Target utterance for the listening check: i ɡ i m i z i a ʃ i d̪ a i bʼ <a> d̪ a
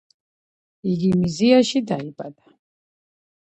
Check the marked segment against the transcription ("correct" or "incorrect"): correct